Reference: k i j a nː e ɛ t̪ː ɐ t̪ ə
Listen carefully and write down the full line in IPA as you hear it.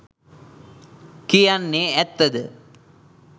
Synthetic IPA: k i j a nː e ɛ t̪ː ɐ d̪ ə